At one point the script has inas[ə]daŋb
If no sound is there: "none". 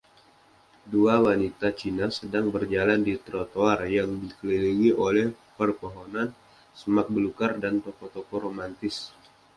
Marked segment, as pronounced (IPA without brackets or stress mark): ə